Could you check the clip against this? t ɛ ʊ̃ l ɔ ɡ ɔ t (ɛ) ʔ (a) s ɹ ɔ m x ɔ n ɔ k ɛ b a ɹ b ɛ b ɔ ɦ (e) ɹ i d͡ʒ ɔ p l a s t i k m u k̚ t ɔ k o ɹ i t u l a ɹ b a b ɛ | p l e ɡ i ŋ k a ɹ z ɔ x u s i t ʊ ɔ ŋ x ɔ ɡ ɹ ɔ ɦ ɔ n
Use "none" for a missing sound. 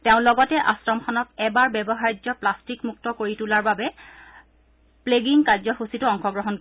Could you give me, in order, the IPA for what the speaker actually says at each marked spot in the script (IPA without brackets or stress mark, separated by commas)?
ɛ, a, a